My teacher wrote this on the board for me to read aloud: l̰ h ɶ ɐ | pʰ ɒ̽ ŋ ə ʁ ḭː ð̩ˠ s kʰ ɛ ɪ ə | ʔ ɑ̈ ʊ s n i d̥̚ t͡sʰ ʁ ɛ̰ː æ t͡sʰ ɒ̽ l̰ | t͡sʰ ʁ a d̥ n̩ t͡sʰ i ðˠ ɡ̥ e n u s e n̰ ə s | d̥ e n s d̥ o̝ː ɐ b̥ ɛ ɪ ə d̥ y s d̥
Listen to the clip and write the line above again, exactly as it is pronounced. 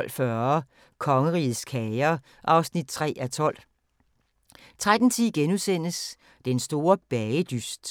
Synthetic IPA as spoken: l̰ f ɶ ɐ | kʰ ɒ̽ ŋ ə ʁ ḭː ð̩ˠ s kʰ ɛ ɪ ɐ | ʔ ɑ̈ ʊ s n i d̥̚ t͡sʰ ʁ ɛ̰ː æ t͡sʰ ɒ̽ l̰ | t͡sʰ ʁ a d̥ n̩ t͡sʰ i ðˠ ɡ̥ e n u s e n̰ ə s | d̥ e n s d̥ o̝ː ɐ b̥ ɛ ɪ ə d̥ y s d̥